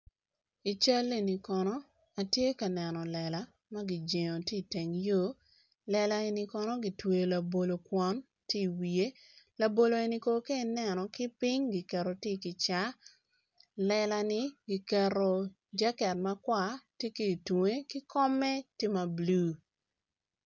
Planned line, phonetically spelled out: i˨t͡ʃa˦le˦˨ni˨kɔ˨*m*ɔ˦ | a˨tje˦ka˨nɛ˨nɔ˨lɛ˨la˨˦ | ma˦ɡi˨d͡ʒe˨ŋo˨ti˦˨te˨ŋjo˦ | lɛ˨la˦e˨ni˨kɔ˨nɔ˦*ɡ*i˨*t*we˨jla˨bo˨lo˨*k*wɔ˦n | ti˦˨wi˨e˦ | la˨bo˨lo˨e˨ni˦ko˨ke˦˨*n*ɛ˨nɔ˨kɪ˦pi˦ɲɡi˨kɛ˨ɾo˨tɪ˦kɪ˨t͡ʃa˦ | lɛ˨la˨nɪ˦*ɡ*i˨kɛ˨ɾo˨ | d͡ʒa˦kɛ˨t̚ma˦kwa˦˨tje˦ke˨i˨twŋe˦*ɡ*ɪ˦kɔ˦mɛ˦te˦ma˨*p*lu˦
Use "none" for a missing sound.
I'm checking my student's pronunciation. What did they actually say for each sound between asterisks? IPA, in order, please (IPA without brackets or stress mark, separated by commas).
n, ɡ, t, k, n, ɡ, k, b